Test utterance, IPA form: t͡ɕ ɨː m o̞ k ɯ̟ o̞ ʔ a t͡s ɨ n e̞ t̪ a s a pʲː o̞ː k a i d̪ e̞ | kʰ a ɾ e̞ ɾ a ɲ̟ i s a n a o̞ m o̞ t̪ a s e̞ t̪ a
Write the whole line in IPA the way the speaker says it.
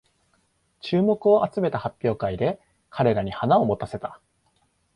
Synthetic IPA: t͡ɕ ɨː m o̞ k ɯ̟ o̞ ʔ a t͡s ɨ m e̞ t̪ a h a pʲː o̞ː k a i d̪ e̞ | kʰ a ɾ e̞ ɾ a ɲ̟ i h a n a o̞ m o̞ t̪ a s e̞ t̪ a